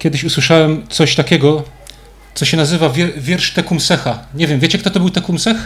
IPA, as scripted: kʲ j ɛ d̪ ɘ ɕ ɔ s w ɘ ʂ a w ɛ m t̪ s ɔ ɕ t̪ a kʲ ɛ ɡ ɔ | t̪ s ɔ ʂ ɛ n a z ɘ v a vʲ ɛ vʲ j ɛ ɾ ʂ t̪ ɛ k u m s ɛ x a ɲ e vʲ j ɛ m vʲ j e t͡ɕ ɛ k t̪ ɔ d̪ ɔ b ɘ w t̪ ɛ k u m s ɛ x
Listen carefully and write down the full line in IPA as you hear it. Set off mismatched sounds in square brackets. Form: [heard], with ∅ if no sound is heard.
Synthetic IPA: kʲ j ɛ d̪ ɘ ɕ [u] s w ɘ ʂ a w ɛ m t̪ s ɔ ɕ t̪ a kʲ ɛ ɡ ɔ | t̪ s ɔ [ɕ] ɛ n a z ɘ v a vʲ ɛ vʲ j ɛ ɾ ʂ t̪ ɛ k u m s ɛ x a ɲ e vʲ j ɛ m vʲ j e t͡ɕ ɛ k t̪ ɔ [t̪] ɔ b ɘ w t̪ ɛ k u m s ɛ x